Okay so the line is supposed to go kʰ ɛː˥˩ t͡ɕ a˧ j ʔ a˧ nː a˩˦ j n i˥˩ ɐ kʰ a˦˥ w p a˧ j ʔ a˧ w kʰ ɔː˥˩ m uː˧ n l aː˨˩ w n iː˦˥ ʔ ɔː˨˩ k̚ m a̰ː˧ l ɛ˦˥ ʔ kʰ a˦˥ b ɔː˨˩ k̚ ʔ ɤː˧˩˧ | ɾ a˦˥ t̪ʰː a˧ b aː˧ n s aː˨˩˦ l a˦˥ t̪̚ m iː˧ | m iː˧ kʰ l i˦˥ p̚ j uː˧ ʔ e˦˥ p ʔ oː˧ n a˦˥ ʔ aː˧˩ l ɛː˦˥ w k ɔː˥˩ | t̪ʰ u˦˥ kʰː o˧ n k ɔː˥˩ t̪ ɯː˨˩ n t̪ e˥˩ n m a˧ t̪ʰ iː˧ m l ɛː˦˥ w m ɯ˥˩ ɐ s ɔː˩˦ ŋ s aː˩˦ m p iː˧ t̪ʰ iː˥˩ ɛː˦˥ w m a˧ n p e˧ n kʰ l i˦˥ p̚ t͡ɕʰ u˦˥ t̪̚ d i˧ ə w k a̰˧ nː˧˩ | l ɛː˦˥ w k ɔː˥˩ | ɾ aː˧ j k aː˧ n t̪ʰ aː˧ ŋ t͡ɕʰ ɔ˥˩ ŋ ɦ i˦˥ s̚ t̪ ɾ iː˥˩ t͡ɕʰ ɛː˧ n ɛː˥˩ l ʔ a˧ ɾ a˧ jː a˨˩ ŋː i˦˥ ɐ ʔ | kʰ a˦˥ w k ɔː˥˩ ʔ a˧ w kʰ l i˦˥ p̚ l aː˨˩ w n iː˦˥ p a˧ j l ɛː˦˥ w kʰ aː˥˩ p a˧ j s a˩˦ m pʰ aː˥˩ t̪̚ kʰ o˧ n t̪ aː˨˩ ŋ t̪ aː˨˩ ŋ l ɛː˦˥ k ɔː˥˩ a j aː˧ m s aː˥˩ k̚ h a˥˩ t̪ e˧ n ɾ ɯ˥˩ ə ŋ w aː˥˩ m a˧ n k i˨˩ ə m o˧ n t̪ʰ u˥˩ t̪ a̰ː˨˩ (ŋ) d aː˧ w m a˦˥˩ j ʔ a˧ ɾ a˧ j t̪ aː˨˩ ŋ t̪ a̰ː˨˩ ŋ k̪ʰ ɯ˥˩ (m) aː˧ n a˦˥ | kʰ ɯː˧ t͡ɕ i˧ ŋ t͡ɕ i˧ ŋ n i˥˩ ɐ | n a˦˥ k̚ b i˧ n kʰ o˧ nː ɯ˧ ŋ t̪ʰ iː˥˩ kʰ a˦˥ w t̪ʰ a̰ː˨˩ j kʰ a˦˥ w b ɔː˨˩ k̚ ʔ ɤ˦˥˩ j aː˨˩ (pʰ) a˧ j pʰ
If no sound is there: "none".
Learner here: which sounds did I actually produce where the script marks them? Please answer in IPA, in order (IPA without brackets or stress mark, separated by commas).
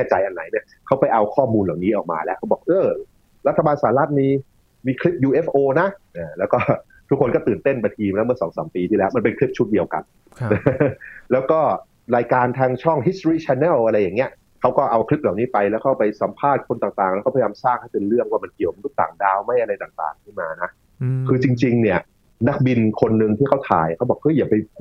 ŋ, m, p